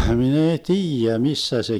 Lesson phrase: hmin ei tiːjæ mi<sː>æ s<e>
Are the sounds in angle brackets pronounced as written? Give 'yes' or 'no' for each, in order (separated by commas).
yes, yes